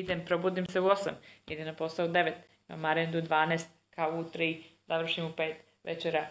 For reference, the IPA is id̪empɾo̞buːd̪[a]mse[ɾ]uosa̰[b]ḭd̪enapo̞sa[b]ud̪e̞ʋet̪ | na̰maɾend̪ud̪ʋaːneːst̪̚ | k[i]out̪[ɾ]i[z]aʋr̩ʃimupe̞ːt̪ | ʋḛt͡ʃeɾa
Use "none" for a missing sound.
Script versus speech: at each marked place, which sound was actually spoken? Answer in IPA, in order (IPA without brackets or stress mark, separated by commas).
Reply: i, none, m, none, a, ɾ, z